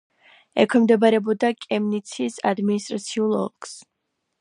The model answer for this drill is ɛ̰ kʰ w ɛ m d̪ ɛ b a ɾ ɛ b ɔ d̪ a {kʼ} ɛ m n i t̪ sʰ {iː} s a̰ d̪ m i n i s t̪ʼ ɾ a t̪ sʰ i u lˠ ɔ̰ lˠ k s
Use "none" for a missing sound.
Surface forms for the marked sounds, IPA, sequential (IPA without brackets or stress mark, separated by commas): kʼ, i